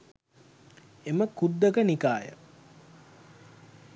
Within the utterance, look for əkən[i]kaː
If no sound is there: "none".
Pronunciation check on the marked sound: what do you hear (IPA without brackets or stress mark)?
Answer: i